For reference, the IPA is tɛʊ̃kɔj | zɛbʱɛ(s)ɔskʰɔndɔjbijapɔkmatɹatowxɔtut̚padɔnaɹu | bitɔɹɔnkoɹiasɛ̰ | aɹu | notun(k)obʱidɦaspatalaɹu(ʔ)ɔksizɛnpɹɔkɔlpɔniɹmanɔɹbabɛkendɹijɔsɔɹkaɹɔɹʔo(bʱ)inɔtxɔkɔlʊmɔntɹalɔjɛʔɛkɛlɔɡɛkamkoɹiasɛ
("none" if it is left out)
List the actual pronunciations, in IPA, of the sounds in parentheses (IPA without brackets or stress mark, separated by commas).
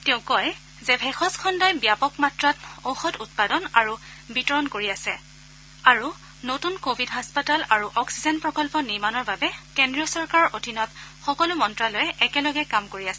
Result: x, k, ʔ, dʱ